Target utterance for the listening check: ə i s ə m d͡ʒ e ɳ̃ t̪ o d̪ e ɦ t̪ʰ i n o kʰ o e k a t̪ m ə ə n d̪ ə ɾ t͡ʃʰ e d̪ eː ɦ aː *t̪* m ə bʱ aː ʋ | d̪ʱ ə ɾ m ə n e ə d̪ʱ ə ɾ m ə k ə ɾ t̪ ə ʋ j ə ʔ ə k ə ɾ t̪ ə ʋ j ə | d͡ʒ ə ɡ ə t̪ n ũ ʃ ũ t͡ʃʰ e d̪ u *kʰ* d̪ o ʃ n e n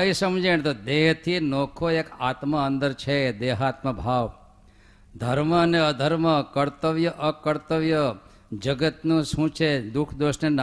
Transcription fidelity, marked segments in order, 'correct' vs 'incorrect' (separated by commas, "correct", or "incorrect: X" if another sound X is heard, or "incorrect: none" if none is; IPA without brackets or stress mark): correct, correct